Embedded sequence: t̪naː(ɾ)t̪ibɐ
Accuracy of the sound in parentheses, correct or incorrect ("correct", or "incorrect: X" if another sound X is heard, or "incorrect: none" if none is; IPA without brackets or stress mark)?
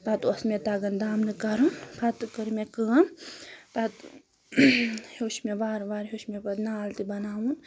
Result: incorrect: l